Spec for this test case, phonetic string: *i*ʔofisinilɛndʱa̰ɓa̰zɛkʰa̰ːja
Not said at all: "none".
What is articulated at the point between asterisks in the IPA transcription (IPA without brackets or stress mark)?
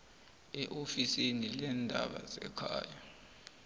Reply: ɛ